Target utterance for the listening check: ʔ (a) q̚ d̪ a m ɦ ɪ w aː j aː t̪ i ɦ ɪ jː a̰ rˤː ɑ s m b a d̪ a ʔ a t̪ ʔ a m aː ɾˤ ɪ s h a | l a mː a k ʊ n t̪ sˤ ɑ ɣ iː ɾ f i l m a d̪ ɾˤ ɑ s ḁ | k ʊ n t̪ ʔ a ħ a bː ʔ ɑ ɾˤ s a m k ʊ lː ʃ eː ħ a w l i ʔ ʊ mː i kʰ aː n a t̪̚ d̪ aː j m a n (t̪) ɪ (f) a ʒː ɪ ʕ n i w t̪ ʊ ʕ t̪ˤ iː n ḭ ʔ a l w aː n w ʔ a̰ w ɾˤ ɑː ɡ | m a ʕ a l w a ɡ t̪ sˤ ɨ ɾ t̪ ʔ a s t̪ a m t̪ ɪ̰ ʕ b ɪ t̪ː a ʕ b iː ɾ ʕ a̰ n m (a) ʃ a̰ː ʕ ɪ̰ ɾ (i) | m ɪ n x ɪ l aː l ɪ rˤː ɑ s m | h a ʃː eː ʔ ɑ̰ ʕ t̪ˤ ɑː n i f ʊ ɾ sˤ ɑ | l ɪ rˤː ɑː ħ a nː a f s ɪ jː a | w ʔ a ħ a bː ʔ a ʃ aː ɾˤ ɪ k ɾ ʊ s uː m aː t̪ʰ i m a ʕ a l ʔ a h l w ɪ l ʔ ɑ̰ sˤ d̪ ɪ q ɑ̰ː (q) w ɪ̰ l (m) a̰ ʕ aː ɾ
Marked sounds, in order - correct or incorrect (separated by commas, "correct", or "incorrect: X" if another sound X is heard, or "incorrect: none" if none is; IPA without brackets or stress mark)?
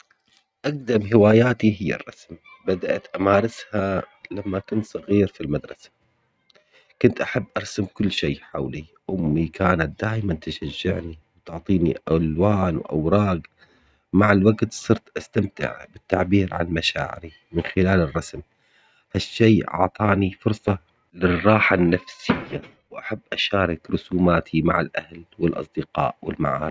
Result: correct, correct, incorrect: ʃ, correct, correct, incorrect: ʔ, correct